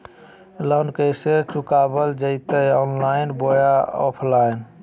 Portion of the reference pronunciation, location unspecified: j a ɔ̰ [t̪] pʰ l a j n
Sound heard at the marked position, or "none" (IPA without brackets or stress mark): none